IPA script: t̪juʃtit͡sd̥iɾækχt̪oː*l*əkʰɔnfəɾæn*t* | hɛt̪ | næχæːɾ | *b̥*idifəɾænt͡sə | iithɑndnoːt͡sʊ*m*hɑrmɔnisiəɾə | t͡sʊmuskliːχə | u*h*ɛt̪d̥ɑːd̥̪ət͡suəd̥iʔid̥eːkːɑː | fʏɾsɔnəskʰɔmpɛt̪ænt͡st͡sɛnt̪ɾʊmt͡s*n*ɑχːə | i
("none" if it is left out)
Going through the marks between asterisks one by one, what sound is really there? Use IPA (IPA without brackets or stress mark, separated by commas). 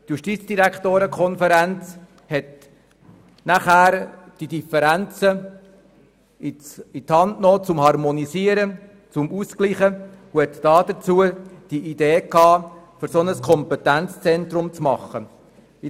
ɾ, t͡s, d̥, m, h, m